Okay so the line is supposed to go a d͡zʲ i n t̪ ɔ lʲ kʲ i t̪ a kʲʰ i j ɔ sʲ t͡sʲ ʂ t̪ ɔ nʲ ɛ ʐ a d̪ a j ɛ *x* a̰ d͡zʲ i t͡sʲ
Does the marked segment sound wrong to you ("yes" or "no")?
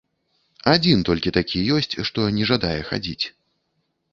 no